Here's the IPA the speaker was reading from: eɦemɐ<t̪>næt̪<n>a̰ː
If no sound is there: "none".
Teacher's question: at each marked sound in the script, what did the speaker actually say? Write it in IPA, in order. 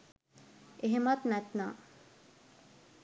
t̪, n

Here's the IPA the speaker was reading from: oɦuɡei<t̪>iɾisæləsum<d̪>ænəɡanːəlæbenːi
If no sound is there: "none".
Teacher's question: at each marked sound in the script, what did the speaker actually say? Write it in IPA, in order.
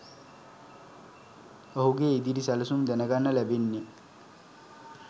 d̪, d̪

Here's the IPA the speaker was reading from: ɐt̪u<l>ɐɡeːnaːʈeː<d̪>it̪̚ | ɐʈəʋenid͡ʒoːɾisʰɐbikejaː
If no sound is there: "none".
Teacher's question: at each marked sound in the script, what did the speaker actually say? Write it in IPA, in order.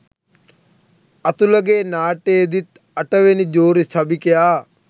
l, d̪

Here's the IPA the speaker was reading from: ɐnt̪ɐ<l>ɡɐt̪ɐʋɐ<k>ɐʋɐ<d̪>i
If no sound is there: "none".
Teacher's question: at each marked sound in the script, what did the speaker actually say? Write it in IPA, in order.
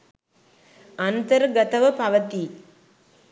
ɾ, p, t̪

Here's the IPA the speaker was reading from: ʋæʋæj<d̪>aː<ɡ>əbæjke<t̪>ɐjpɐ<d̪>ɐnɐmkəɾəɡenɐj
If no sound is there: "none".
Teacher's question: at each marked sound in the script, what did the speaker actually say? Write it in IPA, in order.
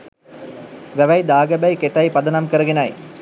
d̪, ɡ, t̪, d̪

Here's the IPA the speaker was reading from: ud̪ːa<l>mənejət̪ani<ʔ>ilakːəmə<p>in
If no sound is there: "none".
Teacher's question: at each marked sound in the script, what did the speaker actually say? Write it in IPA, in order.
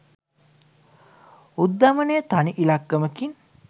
none, ʔ, k

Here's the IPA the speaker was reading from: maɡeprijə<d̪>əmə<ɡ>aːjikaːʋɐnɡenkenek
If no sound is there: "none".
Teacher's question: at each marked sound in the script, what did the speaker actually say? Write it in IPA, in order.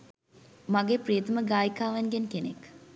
t̪, ɡ

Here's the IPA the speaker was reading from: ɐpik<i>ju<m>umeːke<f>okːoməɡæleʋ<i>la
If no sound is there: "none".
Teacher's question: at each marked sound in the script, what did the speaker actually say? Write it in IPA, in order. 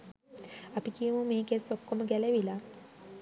i, m, s, i

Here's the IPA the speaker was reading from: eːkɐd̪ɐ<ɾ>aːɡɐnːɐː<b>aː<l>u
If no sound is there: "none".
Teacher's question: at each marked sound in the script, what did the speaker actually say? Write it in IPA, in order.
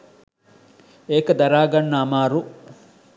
ɾ, m, ɾ

